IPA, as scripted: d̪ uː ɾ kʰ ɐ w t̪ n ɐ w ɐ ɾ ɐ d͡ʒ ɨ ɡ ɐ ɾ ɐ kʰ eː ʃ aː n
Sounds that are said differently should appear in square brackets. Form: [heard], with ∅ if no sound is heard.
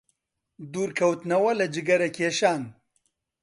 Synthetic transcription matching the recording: d̪ uː ɾ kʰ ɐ w t̪ n ɐ w ɐ [l] ɐ d͡ʒ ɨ ɡ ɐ ɾ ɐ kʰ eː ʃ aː n